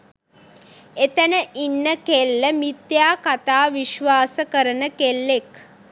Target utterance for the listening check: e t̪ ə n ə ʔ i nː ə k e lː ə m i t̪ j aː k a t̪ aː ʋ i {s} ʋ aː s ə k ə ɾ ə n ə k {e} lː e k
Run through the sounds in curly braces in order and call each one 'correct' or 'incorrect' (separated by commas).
incorrect, correct